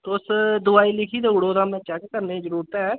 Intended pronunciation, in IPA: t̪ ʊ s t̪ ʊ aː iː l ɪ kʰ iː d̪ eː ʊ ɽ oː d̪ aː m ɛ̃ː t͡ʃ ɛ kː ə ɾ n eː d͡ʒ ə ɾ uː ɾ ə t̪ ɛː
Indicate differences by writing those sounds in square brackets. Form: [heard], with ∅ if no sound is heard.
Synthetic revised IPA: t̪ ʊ s [d̪] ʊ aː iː l ɪ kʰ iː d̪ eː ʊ ɽ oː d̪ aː m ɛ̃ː t͡ʃ ɛ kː ə ɾ n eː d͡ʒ ə ɾ uː ɾ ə t̪ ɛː